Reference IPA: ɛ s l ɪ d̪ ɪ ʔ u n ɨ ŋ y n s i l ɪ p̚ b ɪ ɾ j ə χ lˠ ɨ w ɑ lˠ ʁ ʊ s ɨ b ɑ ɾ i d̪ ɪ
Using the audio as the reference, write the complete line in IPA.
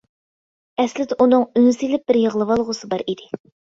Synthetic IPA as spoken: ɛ s l ɪ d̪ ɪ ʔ u n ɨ ŋ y n s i l ɪ p̚ b ɪ ɾ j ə ʁ lˠ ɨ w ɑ lˠ ʁ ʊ s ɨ b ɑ ɾ i d̪ ɪ